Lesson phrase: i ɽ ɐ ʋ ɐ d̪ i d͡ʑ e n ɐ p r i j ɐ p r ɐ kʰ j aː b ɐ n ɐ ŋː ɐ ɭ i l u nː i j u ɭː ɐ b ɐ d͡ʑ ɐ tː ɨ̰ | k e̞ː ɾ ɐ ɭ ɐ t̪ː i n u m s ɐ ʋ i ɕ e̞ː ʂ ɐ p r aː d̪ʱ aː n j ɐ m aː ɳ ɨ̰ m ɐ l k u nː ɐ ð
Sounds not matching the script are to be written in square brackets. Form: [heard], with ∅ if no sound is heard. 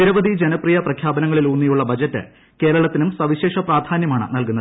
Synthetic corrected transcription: i [ɾ] ɐ ʋ ɐ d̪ i d͡ʑ e n ɐ p r i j ɐ p r ɐ kʰ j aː b ɐ n ɐ ŋː ɐ ɭ i l u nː i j u ɭː ɐ b ɐ d͡ʑ ɐ tː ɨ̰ | k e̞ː ɾ ɐ ɭ ɐ t̪ː i n u m s ɐ ʋ i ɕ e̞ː ʂ ɐ p r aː d̪ʱ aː n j ɐ m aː ɳ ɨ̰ [n] ɐ l k u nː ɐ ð